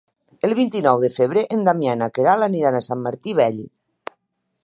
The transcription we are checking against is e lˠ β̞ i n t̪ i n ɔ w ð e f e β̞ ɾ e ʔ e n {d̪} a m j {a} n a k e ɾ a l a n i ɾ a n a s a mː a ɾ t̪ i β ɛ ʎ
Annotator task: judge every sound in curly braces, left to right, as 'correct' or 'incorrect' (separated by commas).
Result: correct, correct